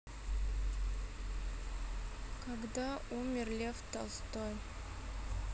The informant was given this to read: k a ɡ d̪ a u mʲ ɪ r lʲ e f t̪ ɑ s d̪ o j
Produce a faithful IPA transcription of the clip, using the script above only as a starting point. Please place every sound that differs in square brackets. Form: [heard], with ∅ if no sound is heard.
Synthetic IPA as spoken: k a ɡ d̪ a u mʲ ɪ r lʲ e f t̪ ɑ s [t̪] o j